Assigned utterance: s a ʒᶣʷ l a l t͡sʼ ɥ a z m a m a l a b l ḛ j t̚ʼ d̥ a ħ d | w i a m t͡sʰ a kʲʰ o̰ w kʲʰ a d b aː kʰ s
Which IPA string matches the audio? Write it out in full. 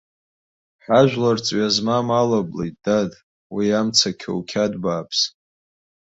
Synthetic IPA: ħ a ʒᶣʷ l a r t͡sʼ ɥ a z m a m a l a b l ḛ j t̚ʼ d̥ a d | w i a m t͡sʰ a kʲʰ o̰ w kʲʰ a d b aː pʰ s